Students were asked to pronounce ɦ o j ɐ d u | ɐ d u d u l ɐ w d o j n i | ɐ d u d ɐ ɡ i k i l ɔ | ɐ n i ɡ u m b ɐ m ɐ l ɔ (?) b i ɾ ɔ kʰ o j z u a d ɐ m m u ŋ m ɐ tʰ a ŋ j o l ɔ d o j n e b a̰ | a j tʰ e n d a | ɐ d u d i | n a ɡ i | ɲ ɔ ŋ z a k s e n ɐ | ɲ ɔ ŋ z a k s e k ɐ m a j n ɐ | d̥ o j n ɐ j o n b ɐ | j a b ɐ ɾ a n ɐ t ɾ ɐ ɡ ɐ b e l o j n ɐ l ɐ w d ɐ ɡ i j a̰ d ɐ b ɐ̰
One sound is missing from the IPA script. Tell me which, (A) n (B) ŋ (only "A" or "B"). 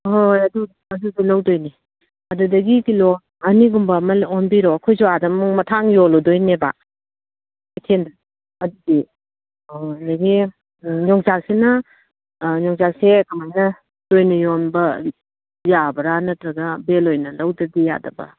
A